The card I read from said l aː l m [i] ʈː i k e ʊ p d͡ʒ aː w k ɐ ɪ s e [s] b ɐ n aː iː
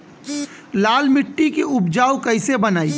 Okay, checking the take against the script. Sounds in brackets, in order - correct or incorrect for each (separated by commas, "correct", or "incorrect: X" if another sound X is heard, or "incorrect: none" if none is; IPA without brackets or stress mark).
incorrect: ɪ, incorrect: none